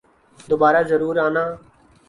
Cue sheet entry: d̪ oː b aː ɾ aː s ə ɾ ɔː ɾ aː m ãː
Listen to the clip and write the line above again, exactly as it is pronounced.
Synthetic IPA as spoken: d̪ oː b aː ɾ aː z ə ɾ uː ɾ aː n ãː